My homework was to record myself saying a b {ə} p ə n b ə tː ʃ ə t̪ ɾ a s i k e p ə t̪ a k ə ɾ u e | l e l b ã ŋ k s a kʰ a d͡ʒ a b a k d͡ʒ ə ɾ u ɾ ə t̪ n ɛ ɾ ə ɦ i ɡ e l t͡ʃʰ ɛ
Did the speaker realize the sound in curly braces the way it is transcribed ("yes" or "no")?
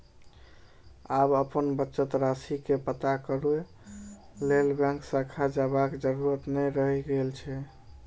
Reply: yes